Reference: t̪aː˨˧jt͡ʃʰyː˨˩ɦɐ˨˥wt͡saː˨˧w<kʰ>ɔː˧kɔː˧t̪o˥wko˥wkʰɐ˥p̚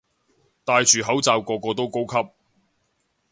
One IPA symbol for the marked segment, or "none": k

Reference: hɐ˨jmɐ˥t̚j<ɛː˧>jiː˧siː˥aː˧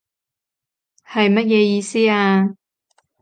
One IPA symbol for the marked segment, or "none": ɛː˧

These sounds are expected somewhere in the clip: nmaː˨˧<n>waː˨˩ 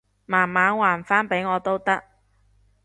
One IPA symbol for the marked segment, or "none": n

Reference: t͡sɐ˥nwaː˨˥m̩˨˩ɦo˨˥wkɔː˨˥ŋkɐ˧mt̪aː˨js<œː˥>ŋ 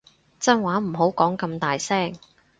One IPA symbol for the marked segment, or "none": ɛː˥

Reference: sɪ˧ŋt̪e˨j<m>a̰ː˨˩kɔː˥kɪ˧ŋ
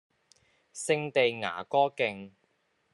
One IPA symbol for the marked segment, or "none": ŋ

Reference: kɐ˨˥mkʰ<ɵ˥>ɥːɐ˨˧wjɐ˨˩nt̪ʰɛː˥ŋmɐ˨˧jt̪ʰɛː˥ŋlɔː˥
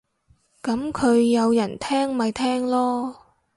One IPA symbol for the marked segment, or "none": ɵ˨˧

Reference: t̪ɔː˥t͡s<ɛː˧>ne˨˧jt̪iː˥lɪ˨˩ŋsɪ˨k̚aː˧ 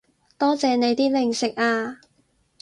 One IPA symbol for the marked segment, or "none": ɛː˧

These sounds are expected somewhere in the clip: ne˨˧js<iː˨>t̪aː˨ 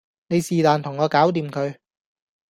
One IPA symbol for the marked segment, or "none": iː˨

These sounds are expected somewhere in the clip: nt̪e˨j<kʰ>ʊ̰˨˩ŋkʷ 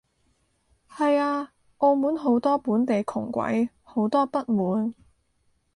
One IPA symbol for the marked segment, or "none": kʰ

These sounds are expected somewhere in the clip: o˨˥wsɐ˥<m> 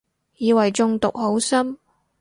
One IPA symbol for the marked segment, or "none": m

